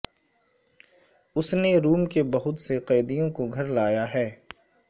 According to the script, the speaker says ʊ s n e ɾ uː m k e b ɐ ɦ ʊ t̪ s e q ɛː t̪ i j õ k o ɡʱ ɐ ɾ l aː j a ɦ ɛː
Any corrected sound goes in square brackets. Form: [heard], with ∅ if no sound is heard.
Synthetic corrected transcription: ʊ s n e ɾ uː m k e b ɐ ɦ ʊ t̪ s e q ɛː [d̪] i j õ k o ɡʱ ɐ ɾ l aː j a ɦ ɛː

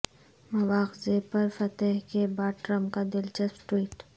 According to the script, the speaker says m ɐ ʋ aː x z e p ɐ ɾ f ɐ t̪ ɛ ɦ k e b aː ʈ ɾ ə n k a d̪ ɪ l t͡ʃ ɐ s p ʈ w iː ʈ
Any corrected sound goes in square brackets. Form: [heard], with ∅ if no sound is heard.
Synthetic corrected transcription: m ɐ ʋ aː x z e p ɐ ɾ f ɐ t̪ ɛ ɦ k e b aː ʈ ɾ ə [m] k a d̪ ɪ l t͡ʃ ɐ s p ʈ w iː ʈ

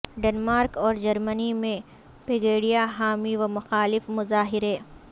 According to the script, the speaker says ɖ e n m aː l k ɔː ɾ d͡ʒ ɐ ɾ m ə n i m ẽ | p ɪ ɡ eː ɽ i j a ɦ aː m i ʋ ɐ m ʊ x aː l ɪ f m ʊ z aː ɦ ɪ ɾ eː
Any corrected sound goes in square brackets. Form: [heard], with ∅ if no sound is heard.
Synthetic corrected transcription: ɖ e n m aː [ɾ] k ɔː ɾ d͡ʒ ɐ ɾ m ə n i m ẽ | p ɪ ɡ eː ɽ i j a ɦ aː m i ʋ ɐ m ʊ x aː l ɪ f m ʊ z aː ɦ ɪ ɾ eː

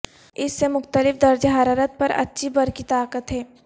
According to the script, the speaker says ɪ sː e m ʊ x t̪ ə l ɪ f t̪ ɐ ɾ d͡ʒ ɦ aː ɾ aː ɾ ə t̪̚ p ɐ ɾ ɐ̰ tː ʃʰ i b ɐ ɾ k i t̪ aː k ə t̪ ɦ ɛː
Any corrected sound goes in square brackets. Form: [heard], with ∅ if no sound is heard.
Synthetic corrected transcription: ɪ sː e m ʊ x t̪ ə l ɪ f [d̪] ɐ ɾ d͡ʒ ɦ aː ɾ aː ɾ ə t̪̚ p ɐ ɾ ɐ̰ tː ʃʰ i b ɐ ɾ k i t̪ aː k ə t̪ ɦ ɛː

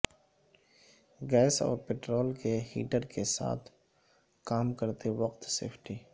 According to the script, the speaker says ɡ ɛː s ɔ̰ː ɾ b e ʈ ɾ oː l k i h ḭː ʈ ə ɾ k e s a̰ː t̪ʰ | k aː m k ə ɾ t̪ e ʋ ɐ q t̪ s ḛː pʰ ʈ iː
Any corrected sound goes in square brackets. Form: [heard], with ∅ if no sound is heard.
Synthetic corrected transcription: ɡ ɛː s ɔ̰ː ɾ [p] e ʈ ɾ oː l k [e] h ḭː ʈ ə ɾ k e s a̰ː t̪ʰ | k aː m k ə ɾ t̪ e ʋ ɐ q t̪ s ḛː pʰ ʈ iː

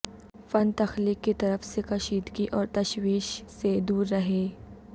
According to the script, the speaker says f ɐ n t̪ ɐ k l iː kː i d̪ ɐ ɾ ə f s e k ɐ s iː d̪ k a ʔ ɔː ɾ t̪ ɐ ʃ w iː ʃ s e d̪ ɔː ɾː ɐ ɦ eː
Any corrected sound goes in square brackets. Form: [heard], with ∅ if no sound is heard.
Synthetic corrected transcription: f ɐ n t̪ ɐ [x] l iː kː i [t̪] ɐ ɾ ə f s e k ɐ [ʃ] iː d̪ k [i] ʔ ɔː ɾ t̪ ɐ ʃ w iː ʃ s e d̪ [uː] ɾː ɐ ɦ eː

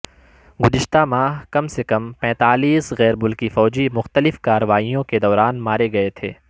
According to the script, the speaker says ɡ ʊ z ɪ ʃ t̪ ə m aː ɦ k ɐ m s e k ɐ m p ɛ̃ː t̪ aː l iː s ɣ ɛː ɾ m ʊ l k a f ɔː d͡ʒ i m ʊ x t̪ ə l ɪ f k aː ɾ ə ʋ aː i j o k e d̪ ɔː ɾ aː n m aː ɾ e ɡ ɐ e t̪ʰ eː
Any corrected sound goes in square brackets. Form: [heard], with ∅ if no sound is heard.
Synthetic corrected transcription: ɡ ʊ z ɪ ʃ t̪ [a] m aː ɦ k ɐ m s e k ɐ m p ɛ̃ː t̪ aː l iː s ɣ ɛː ɾ m ʊ l k [i] f ɔː d͡ʒ i m ʊ x t̪ ə l ɪ f k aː ɾ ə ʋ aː i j [õ] k e d̪ ɔː ɾ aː n m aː ɾ e ɡ ɐ e t̪ʰ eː

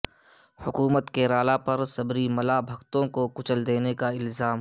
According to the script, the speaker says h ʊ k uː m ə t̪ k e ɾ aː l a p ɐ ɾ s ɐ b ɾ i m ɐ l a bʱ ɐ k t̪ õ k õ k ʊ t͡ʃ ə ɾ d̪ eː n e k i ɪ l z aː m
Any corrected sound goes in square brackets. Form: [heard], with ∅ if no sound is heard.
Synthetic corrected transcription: h ʊ k uː m ə t̪ k e ɾ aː l a p ɐ ɾ s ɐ b ɾ i m ɐ l a bʱ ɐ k t̪ õ k [o] k ʊ t͡ʃ ə [l] d̪ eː n e k [a] ɪ l z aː m

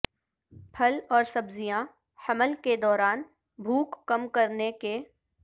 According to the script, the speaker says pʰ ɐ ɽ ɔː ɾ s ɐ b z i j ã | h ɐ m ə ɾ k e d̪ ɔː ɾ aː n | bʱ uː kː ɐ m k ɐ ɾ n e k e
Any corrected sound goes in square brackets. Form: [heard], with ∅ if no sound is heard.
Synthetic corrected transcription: pʰ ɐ [l] ɔː ɾ s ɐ b z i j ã | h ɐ m ə [l] k e d̪ ɔː ɾ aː n | bʱ uː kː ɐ m k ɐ ɾ n e k e

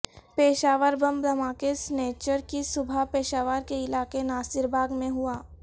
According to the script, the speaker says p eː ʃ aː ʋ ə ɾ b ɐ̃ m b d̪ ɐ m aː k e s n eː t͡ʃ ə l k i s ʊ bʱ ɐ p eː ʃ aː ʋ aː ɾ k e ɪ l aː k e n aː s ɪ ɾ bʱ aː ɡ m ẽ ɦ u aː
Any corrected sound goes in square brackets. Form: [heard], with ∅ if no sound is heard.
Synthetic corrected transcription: p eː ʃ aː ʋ ə ɾ b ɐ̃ m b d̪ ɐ m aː k e s n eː t͡ʃ ə [ɾ] k i s ʊ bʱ [a] p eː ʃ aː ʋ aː ɾ k e ɪ l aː k e n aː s ɪ ɾ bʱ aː ɡ m ẽ ɦ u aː

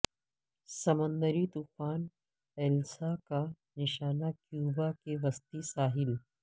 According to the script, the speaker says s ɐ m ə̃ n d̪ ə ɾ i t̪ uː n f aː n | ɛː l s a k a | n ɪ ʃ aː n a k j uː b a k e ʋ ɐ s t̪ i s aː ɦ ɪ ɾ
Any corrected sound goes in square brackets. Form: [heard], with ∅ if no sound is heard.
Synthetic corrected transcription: s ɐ m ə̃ n d̪ ə ɾ i t̪ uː [∅] f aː n | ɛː l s a k a | n ɪ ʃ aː n a k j uː b a k e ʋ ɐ s t̪ i s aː ɦ ɪ [l]

